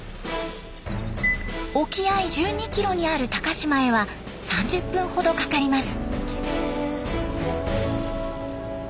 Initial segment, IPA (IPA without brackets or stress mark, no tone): o̞